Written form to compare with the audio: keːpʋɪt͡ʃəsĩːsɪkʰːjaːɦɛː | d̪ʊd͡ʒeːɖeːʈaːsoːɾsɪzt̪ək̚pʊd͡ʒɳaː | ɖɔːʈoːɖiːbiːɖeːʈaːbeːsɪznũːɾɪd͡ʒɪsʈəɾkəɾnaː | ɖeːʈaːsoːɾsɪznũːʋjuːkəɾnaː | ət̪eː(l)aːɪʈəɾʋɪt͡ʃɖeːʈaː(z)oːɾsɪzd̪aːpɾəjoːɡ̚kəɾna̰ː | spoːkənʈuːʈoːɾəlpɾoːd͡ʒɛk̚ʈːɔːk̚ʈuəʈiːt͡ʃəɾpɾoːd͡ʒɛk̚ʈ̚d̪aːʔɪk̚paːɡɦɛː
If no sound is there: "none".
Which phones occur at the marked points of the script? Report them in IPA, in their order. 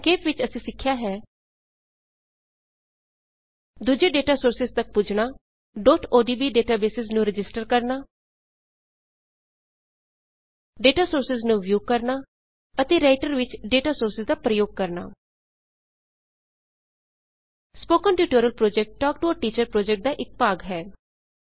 ɾ, s

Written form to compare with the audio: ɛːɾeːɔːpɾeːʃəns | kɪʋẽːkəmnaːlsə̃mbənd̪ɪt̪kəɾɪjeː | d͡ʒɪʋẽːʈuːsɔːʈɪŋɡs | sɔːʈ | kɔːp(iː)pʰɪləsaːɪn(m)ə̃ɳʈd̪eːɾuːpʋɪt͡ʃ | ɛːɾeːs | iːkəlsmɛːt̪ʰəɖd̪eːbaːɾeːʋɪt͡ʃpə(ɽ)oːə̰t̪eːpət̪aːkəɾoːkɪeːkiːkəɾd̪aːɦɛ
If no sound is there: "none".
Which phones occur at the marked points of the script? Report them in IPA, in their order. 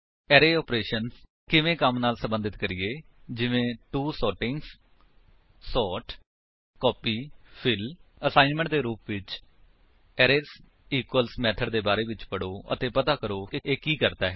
iː, m, ɽ

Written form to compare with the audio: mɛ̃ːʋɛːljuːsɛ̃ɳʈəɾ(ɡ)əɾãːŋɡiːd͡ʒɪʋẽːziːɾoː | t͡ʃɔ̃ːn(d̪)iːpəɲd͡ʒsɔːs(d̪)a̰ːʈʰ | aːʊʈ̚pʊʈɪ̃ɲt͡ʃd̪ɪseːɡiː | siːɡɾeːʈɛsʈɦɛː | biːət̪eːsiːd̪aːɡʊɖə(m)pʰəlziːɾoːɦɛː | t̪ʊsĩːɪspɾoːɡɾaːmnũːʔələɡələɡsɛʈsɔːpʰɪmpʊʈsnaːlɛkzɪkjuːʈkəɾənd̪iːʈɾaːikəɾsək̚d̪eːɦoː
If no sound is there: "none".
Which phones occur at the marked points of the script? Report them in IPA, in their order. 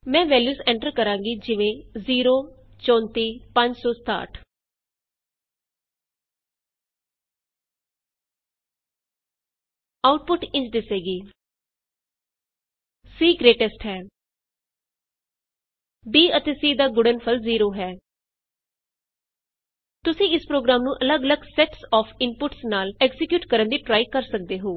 k, t̪, t̪, n

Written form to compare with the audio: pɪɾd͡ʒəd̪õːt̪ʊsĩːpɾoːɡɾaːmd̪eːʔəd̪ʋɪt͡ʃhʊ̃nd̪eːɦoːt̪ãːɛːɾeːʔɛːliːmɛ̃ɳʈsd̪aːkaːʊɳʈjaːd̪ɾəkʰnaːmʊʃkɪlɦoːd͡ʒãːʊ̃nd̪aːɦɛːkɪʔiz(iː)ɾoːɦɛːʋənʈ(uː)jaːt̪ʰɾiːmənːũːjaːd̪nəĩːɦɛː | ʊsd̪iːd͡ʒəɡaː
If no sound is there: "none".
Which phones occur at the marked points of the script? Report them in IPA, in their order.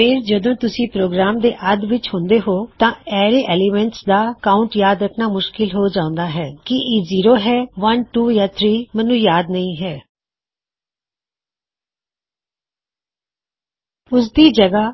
iː, uː

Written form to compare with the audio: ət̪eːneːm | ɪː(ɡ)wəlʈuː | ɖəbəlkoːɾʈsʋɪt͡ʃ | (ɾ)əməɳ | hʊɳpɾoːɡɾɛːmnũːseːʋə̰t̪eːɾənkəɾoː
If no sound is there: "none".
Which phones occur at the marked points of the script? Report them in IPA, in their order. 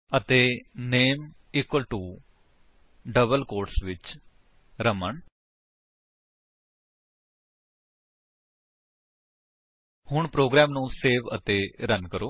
k, ɾ

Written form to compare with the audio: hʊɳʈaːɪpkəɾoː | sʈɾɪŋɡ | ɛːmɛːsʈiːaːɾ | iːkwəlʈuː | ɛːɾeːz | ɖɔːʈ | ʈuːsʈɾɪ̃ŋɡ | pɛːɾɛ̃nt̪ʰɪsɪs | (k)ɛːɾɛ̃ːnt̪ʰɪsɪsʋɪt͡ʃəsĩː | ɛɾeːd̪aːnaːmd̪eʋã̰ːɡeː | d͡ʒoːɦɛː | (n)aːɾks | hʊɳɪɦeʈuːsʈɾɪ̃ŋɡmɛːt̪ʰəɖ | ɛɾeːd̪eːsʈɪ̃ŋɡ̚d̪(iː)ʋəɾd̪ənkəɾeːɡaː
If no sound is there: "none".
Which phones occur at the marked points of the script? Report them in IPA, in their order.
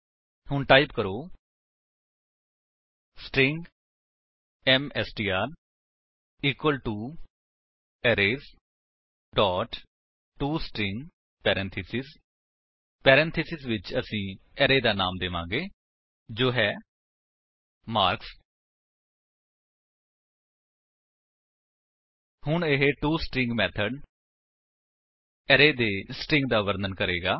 p, m, aː

